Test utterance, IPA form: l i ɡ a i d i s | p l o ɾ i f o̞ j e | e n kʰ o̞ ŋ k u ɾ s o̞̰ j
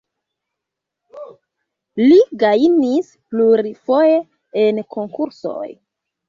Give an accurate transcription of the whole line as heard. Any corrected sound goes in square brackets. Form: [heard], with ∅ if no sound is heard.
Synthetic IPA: l i ɡ a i [n] i s | p l [u] ɾ i f o̞ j e | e n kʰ o̞ ŋ k u ɾ s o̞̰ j